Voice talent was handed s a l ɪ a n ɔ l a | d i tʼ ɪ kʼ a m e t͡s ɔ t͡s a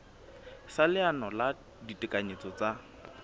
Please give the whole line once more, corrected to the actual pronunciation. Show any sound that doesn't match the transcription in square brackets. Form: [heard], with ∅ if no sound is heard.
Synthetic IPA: s a l ɪ a n ɔ l a | d i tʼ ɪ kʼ a [ɲ] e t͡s ɔ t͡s a